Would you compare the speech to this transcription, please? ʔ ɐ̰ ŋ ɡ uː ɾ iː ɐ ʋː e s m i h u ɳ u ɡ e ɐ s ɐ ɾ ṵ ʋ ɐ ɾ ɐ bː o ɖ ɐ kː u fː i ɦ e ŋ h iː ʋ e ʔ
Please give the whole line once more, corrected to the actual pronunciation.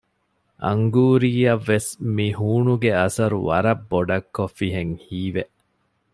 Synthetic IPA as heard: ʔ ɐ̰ ŋ ɡ uː ɾ iː ɐ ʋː e s m i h uː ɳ u ɡ e ɐ s ɐ ɾ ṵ ʋ ɐ ɾ ɐ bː o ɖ ɐ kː o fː i ɦ e ŋ h iː ʋ e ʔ